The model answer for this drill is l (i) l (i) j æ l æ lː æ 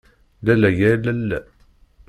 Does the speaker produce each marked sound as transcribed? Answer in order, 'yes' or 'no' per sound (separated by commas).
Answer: no, no